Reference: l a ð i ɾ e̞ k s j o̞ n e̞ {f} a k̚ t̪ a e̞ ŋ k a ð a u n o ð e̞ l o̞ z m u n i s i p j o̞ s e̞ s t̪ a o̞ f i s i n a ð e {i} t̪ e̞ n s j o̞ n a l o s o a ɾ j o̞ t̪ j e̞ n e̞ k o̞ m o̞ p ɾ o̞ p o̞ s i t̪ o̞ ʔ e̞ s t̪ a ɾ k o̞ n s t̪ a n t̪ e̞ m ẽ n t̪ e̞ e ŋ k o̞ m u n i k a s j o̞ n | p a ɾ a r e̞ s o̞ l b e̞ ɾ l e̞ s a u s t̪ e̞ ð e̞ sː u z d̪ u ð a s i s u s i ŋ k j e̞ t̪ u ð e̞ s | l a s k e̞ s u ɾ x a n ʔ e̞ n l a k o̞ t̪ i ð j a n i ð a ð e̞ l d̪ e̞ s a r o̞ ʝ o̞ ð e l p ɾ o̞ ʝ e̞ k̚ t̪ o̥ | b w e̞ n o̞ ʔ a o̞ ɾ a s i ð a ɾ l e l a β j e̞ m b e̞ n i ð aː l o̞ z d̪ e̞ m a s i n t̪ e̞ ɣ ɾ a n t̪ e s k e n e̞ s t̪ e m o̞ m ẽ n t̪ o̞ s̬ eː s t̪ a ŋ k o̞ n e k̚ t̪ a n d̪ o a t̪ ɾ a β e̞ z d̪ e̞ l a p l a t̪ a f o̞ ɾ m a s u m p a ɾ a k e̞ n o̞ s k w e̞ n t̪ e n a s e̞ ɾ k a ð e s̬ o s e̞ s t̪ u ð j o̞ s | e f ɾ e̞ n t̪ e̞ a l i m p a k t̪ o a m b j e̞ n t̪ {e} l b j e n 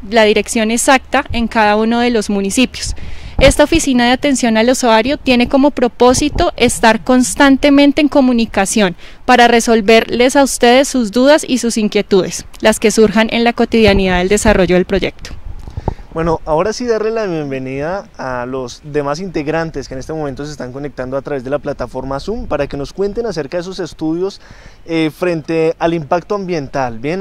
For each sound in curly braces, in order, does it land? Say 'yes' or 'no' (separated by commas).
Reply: no, no, no